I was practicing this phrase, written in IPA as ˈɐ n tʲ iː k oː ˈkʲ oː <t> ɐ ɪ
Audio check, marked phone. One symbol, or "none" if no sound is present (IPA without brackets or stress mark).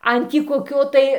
t